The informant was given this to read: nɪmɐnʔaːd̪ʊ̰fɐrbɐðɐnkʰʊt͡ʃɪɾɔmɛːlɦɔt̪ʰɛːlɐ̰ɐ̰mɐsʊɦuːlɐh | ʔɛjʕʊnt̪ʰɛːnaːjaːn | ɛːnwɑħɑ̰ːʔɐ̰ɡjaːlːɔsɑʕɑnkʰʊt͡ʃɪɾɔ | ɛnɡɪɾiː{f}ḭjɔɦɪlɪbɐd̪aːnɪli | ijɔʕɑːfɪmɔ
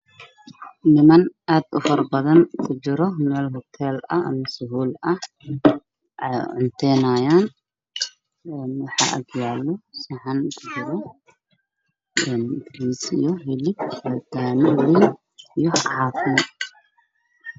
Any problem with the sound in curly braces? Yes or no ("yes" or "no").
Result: yes